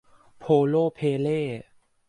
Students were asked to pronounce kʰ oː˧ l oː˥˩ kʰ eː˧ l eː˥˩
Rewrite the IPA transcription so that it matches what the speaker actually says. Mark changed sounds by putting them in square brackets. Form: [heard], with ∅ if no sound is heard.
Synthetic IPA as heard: [pʰ] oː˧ l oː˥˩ [pʰ] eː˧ l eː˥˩